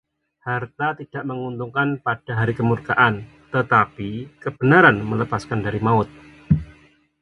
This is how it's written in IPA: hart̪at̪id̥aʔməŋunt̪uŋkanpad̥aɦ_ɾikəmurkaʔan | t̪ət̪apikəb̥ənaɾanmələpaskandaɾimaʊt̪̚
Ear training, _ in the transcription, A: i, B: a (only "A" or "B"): B